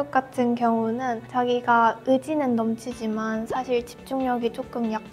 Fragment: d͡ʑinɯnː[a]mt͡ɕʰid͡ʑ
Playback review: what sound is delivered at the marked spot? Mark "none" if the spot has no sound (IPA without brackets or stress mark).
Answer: ʌ